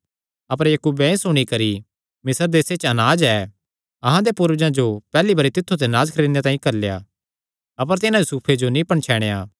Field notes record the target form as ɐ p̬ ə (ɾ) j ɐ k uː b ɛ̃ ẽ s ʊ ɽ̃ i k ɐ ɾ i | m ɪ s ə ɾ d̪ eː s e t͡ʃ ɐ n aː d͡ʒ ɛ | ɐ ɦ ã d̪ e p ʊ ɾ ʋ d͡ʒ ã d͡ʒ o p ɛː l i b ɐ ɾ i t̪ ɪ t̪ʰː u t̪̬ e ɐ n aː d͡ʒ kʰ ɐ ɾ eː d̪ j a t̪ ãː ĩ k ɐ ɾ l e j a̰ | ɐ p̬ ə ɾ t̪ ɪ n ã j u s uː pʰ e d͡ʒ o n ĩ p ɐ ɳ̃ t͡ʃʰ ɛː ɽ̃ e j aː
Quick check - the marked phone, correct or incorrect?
correct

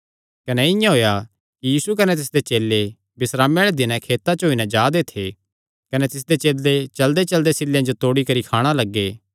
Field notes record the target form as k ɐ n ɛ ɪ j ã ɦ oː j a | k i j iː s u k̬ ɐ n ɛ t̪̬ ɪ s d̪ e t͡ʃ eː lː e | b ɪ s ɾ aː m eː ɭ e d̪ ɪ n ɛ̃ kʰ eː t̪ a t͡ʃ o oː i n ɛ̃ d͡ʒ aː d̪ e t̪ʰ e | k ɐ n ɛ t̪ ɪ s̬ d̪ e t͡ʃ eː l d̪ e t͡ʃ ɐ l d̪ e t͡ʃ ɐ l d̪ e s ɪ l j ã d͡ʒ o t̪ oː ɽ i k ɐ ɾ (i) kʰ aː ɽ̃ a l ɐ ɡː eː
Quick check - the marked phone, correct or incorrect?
correct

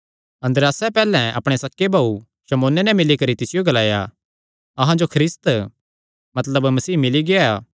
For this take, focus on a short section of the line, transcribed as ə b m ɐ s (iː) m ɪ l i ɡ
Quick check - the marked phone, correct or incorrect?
correct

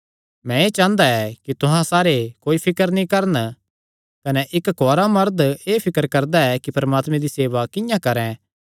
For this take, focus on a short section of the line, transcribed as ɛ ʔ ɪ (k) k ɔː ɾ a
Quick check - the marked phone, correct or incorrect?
correct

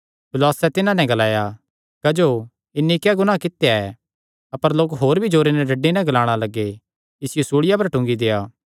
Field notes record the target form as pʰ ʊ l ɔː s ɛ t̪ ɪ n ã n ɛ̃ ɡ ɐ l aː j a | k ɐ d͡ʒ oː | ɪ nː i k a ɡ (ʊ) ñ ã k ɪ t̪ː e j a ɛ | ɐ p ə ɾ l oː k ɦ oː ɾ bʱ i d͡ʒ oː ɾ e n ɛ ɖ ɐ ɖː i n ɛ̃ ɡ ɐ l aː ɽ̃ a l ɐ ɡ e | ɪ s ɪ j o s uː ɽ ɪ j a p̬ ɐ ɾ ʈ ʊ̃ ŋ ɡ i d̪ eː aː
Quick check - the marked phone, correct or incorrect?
correct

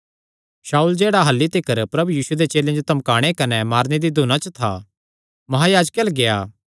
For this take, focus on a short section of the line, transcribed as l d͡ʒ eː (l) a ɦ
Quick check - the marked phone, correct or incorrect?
incorrect: ɽ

